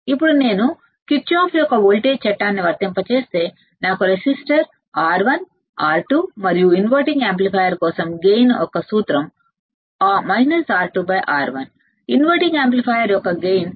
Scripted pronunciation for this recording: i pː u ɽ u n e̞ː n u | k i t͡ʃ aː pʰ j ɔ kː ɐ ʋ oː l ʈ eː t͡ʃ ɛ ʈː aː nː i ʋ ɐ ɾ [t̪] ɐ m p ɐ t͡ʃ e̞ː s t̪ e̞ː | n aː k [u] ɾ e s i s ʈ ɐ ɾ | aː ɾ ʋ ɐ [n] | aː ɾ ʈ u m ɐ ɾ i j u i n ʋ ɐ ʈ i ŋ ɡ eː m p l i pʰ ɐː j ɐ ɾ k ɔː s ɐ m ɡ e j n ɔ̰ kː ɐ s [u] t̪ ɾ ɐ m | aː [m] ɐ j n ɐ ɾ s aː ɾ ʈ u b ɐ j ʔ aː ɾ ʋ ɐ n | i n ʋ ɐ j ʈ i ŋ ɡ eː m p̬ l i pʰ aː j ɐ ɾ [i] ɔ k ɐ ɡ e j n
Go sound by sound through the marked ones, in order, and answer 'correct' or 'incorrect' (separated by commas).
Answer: correct, correct, correct, incorrect, correct, incorrect